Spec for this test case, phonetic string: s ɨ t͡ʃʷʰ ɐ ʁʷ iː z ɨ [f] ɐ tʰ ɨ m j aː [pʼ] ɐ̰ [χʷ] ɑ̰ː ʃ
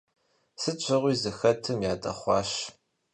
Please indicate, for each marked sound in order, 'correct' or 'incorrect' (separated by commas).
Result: incorrect, incorrect, correct